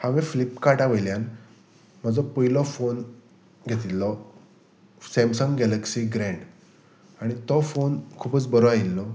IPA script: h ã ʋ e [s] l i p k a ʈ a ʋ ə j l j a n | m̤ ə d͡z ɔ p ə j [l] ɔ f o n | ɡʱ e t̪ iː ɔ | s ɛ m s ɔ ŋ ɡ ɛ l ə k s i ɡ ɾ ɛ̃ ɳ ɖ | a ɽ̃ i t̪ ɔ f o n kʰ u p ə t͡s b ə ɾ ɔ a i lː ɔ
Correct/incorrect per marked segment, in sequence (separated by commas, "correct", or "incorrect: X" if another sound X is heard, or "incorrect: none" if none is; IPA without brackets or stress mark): incorrect: f, correct